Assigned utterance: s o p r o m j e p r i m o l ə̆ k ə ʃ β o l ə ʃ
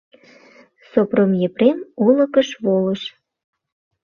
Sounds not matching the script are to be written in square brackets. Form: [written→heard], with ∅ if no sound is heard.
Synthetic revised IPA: s o p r o m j e p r [i→e] m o l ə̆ k ə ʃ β o l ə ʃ